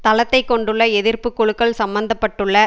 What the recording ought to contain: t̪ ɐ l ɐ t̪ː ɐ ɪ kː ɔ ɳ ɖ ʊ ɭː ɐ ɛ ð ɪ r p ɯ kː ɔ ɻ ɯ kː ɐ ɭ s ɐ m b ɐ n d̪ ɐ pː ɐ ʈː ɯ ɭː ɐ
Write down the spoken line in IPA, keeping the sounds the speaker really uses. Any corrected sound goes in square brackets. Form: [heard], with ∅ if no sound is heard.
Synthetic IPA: t̪ ɐ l ɐ t̪ː ɐ ɪ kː ɔ ɳ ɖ [ɯ] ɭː ɐ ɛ ð ɪ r p ɯ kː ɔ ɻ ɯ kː ɐ ɭ s ɐ m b ɐ n d̪ ɐ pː ɐ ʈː ɯ ɭː ɐ

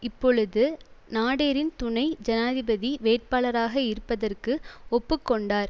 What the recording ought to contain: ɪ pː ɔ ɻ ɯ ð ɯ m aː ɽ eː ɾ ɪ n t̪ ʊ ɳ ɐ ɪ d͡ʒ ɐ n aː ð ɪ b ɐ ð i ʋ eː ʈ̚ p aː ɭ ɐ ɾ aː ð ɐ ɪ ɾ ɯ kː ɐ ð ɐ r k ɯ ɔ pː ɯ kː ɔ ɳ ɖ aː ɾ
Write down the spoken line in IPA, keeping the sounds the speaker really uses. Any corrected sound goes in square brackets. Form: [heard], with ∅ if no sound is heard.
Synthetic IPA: ɪ pː ɔ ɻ ɯ ð ɯ [n] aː ɽ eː ɾ ɪ n t̪ ʊ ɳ ɐ ɪ d͡ʒ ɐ n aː ð ɪ b ɐ ð i ʋ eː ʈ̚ p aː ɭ ɐ ɾ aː [ɣ] ɐ ɪ ɾ ɯ [pː] ɐ ð ɐ r k ɯ ɔ pː ɯ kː ɔ ɳ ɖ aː ɾ

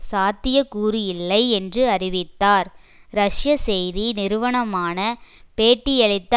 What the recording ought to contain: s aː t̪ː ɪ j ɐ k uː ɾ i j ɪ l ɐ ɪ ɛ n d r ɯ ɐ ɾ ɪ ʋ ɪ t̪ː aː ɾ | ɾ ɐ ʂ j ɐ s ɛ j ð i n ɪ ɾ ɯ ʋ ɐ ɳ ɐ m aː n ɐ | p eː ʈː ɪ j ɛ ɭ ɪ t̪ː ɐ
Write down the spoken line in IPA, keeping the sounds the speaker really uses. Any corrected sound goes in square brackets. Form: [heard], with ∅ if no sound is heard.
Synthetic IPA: s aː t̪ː ɪ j ɐ k uː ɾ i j ɪ [lː] ɐ ɪ ɛ n d r ɯ ɐ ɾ ɪ ʋ ɪ t̪ː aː ɾ | ɾ ɐ ʂ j ɐ s ɛ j ð i n ɪ ɾ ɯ ʋ ɐ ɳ ɐ m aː n ɐ | p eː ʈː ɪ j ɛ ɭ ɪ t̪ː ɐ

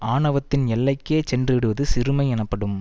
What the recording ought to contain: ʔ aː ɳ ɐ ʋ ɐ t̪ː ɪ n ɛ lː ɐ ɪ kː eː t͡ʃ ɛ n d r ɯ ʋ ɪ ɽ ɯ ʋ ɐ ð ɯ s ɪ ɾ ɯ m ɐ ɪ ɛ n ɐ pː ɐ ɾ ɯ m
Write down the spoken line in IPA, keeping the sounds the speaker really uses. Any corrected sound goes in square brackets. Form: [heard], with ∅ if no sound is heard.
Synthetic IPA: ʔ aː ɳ ɐ ʋ ɐ t̪ː ɪ n ɛ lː ɐ ɪ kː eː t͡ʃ ɛ n d r ɯ ʋ ɪ ɽ ɯ ʋ ɐ ð ɯ s ɪ ɾ ɯ m ɐ ɪ ɛ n ɐ pː ɐ [ɽ] ɯ m

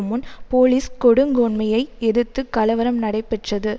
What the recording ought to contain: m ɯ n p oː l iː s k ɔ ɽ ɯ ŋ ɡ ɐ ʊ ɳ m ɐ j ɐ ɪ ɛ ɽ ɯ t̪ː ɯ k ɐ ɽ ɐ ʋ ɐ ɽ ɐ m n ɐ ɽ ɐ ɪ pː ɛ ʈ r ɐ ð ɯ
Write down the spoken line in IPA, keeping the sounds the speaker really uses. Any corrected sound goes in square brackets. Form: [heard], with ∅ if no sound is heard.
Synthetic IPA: m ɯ n p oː l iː s k ɔ ɽ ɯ ŋ ɡ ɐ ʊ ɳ m ɐ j ɐ ɪ ɛ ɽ ɯ t̪ː ɯ k ɐ [l] ɐ ʋ ɐ [ɾ] ɐ m n ɐ ɽ ɐ ɪ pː ɛ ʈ r ɐ ð ɯ

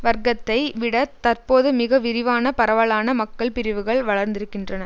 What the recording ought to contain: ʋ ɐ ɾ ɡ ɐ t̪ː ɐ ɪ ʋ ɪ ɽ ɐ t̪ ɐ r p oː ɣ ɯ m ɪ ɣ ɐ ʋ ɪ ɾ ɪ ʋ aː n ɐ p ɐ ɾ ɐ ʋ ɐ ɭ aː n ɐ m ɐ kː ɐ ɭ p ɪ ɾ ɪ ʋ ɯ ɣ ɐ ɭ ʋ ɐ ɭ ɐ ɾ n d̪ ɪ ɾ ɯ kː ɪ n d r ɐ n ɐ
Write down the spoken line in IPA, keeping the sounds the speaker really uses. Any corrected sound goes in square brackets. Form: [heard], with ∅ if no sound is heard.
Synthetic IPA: ʋ ɐ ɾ ɡ ɐ t̪ː ɐ ɪ ʋ ɪ ɽ ɐ t̪ ɐ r p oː [ð] ɯ m ɪ ɣ ɐ ʋ ɪ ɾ ɪ ʋ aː n ɐ p ɐ ɾ ɐ ʋ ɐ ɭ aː n ɐ m ɐ kː ɐ ɭ p ɪ ɾ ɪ ʋ ɯ ɣ ɐ ɭ ʋ ɐ ɭ ɐ ɾ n d̪ ɪ ɾ ɯ kː ɪ n d r ɐ n ɐ

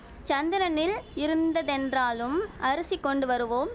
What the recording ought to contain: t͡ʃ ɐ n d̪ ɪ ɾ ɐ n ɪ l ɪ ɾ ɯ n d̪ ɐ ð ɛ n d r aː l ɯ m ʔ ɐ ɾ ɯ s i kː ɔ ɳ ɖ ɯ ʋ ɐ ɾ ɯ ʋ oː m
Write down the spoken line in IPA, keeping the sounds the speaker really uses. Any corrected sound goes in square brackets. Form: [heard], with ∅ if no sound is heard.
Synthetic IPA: t͡ʃ ɐ n d̪ ɪ ɾ ɐ n ɪ l ɪ ɾ ɯ n d̪ ɐ ð ɛ n d r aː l ɯ m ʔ ɐ ɾ ɯ s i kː ɔ ɳ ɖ ɯ ʋ ɐ ɾ ɯ ʋ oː m

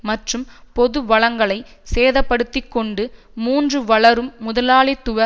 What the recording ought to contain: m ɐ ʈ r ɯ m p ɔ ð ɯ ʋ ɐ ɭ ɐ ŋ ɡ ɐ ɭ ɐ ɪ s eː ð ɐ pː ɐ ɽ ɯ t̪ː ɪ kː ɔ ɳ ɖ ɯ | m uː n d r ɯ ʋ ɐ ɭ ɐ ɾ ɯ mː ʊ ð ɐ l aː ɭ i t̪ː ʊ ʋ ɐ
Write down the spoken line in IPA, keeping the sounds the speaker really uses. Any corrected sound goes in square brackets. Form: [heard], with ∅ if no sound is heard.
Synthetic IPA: m ɐ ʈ r ɯ m p ɔ ð ɯ ʋ ɐ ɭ ɐ ŋ ɡ ɐ ɭ ɐ ɪ s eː ð ɐ pː ɐ ɽ ɯ t̪ː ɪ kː ɔ ɳ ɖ ɯ | m uː n d r ɯ ʋ ɐ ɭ ɐ ɾ ɯ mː ʊ ð ɐ l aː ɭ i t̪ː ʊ ʋ ɐ

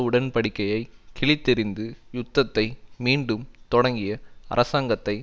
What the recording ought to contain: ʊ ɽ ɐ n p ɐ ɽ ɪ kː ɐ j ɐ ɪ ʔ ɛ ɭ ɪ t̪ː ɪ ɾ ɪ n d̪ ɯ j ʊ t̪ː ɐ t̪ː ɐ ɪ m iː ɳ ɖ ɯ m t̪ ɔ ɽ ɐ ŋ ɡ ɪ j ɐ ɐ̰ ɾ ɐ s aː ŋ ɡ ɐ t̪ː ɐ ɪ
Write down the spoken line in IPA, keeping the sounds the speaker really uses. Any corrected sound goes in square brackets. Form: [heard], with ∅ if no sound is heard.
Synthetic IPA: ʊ ɽ ɐ n p ɐ ɽ ɪ kː ɐ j ɐ ɪ [k] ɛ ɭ ɪ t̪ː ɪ ɾ ɪ n d̪ ɯ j ʊ t̪ː ɐ t̪ː ɐ ɪ m iː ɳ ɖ ɯ m t̪ ɔ ɽ ɐ ŋ ɡ ɪ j ɐ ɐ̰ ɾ ɐ s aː ŋ ɡ ɐ t̪ː ɐ ɪ

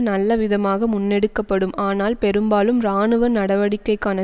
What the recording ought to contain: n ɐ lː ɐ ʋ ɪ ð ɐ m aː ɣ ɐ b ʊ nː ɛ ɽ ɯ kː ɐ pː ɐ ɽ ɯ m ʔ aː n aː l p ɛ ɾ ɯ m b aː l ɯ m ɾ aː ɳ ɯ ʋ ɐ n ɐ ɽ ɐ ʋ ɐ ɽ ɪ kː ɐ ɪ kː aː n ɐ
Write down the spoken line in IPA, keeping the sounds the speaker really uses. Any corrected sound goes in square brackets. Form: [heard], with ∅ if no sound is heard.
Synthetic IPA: n ɐ lː ɐ ʋ ɪ ð ɐ m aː ɣ ɐ [m] ʊ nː ɛ ɽ ɯ kː ɐ pː ɐ ɽ ɯ m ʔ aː n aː l p ɛ ɾ ɯ m b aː l ɯ m ɾ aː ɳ ɯ ʋ ɐ n ɐ ɽ ɐ ʋ ɐ ɽ ɪ kː ɐ ɪ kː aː n ɐ

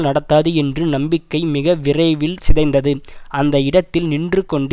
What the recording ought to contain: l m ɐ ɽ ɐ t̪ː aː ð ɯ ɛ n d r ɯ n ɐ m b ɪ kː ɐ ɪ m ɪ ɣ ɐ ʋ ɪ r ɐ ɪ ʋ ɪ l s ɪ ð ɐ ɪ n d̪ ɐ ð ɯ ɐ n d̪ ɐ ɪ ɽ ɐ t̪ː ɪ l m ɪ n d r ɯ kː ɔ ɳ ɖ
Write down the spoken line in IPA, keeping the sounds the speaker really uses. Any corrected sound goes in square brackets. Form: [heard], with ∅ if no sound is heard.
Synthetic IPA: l [n] ɐ ɽ ɐ t̪ː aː ð ɯ ɛ n d r ɯ n ɐ m b ɪ kː ɐ ɪ m ɪ ɣ ɐ ʋ ɪ r ɐ ɪ ʋ ɪ l s ɪ ð ɐ ɪ n d̪ ɐ ð ɯ ɐ n d̪ ɐ ɪ ɽ ɐ t̪ː ɪ l [n] ɪ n d r ɯ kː ɔ ɳ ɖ

